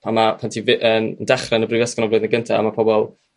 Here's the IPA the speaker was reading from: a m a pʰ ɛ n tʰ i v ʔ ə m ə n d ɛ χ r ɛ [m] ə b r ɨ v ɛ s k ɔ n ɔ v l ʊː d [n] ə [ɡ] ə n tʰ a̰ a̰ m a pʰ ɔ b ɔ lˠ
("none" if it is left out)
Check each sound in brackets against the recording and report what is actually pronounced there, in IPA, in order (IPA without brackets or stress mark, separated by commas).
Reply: n, n, ɡ